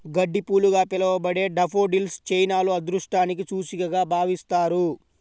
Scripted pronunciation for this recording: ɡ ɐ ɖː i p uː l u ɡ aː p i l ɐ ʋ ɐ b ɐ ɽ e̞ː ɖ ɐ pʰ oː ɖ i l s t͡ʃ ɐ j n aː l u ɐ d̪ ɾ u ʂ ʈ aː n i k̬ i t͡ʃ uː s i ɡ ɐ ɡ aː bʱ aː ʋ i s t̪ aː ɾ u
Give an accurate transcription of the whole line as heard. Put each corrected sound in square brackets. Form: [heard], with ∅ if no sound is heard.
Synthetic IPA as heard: ɡ ɐ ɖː i p uː l u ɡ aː p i l ɐ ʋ ɐ b ɐ ɽ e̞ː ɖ ɐ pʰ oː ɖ i l s t͡ʃ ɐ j n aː l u ɐ d̪ ɾ u ʂ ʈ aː n i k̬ i t͡ʃ uː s i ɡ ɐ ɡ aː bʱ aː ʋ i s t̪ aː ɾ u